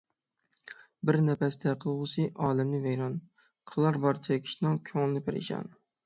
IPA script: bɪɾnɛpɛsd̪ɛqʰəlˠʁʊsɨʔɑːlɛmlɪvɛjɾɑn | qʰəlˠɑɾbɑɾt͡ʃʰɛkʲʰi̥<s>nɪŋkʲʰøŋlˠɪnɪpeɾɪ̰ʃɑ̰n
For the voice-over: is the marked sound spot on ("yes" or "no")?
no